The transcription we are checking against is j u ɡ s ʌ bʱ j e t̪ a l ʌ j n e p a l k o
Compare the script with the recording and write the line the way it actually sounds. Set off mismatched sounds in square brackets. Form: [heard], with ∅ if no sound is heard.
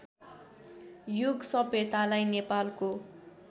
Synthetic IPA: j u ɡ s ʌ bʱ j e t̪ a l [a] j n e p a l k o